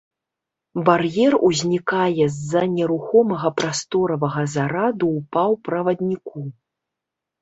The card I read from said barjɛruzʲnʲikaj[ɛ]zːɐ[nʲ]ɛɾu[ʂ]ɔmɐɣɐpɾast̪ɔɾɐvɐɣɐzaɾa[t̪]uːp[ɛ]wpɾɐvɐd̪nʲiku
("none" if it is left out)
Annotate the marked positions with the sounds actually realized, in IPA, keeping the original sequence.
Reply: ɛ, nʲ, x, d̪, a

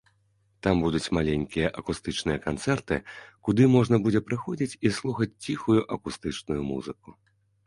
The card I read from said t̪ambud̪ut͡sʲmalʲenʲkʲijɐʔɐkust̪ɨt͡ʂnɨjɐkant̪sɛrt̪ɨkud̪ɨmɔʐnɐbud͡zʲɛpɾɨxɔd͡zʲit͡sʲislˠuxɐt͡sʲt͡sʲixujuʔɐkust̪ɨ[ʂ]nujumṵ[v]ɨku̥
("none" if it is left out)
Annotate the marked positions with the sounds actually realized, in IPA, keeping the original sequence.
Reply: t͡ʂ, z

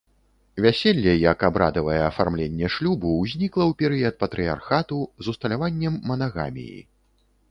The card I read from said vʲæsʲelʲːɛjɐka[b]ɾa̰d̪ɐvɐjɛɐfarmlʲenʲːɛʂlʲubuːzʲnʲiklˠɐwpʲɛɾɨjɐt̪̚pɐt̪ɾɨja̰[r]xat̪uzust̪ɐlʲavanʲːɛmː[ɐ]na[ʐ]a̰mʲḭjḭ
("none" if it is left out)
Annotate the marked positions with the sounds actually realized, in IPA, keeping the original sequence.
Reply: b, r, ɐ, ɣ

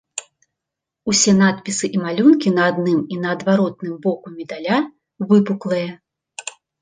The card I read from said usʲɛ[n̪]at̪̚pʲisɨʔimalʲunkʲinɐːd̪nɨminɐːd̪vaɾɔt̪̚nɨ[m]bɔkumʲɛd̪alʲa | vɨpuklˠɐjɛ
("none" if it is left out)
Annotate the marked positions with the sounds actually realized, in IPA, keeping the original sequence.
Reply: n̪, m

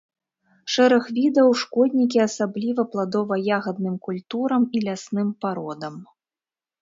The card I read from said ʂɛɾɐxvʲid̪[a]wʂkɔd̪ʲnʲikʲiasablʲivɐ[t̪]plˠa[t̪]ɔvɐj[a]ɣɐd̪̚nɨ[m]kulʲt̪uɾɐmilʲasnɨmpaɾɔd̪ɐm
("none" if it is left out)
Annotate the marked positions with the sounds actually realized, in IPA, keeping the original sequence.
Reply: ɐ, none, d̪, a, m

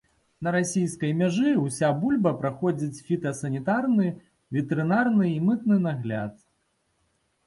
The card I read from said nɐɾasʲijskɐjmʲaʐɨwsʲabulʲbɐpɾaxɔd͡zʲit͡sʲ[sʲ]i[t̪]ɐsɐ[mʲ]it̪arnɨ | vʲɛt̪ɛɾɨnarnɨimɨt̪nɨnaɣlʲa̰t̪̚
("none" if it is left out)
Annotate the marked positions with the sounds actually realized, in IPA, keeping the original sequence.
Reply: fʲ, t̪, nʲ

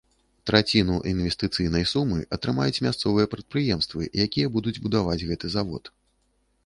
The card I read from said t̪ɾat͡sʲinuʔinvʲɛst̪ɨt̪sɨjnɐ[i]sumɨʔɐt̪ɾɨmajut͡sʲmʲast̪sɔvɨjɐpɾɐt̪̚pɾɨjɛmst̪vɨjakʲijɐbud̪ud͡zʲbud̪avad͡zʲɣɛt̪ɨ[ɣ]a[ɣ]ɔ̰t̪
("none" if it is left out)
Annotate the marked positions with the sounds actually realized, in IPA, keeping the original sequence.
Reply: j, z, v

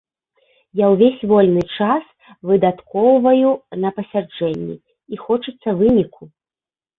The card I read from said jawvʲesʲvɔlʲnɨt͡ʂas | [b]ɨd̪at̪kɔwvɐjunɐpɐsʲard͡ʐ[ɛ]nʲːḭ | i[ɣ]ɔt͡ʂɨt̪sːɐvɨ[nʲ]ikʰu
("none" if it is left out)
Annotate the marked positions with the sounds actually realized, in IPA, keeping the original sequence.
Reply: v, ɛ, x, nʲ

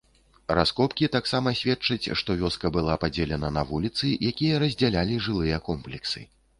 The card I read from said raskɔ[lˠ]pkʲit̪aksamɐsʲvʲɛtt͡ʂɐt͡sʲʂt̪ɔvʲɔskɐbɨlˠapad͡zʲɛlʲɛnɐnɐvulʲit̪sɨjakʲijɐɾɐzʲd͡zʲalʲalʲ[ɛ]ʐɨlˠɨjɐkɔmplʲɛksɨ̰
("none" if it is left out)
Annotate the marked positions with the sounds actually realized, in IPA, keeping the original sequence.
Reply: none, i

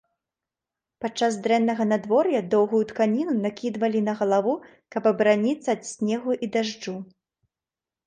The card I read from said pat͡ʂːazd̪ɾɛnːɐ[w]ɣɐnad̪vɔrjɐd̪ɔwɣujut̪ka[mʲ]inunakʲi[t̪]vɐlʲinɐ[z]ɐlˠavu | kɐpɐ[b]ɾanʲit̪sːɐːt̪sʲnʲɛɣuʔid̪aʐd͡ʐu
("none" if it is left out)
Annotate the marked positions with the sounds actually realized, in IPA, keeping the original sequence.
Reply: none, nʲ, d̪, ɣ, b

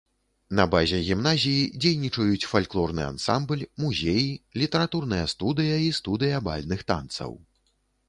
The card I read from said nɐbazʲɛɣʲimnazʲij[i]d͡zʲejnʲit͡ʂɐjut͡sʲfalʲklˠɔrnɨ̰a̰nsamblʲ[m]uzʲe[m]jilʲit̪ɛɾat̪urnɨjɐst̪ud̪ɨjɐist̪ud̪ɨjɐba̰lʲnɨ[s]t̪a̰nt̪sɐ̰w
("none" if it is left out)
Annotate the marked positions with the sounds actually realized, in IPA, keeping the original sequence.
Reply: i, m, none, x

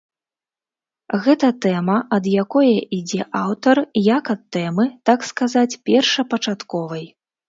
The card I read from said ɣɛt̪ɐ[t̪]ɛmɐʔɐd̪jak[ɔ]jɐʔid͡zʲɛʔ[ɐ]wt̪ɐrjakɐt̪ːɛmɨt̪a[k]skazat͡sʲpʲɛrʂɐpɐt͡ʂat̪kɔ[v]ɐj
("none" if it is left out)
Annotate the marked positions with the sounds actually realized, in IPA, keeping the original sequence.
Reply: t̪, ɔ, a, k, v

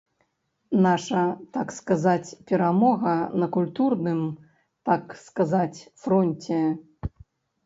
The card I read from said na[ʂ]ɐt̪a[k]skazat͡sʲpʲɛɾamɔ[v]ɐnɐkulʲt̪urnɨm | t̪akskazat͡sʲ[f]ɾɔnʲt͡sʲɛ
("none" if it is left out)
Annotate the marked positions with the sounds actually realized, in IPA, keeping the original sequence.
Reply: ʂ, k, ɣ, f

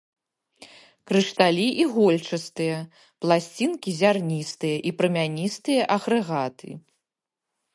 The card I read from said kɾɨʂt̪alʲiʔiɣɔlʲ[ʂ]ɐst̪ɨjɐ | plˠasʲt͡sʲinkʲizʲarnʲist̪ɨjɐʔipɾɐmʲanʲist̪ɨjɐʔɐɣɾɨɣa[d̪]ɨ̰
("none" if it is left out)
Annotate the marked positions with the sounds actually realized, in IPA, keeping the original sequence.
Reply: t͡ʂ, t̪

